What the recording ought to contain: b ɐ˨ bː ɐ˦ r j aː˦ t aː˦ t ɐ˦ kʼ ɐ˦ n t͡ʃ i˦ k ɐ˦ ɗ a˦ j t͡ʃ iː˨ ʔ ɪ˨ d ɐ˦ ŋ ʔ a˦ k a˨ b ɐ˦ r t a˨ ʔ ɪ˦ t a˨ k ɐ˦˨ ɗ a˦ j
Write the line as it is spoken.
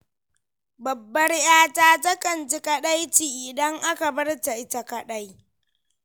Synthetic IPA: b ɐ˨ bː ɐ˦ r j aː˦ t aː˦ t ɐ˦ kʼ ɐ˨ n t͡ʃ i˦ k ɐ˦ ɗ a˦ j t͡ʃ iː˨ ʔ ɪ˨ d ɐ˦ ŋ ʔ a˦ k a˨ b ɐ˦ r t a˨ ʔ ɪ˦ t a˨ k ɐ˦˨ ɗ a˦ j